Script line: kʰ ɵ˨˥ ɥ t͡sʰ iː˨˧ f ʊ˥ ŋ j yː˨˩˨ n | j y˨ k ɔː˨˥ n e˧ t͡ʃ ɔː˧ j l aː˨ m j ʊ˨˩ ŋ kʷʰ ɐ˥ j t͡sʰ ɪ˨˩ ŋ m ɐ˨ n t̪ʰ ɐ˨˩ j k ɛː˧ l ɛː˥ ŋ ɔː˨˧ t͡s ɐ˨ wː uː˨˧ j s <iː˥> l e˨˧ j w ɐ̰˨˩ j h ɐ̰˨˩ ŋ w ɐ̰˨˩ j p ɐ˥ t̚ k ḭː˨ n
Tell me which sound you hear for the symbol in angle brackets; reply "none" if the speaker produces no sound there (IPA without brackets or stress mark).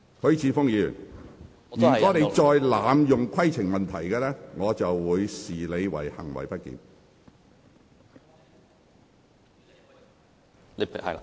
iː˨